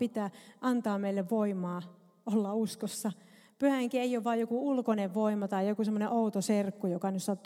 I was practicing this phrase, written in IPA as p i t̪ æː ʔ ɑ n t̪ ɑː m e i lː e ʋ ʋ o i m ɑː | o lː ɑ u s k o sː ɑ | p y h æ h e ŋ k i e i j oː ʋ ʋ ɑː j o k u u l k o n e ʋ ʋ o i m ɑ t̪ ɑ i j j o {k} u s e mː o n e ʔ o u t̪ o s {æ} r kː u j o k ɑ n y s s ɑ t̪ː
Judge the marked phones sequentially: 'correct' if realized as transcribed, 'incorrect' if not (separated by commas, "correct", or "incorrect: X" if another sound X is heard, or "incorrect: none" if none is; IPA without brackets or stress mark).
correct, incorrect: e